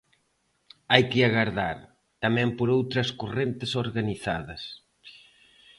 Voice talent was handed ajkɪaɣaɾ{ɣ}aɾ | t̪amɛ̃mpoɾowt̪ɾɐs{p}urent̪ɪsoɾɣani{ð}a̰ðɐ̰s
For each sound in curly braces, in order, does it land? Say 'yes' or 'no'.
no, no, no

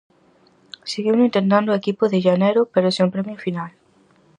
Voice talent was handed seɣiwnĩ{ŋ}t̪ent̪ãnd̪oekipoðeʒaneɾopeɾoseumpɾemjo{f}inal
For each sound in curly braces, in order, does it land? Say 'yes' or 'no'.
no, yes

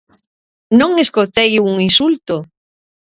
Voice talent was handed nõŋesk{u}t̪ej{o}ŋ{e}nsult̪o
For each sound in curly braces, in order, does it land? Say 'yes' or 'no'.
no, no, no

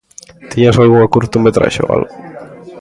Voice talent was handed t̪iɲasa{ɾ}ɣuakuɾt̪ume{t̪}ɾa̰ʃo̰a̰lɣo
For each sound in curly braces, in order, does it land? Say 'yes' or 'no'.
no, yes

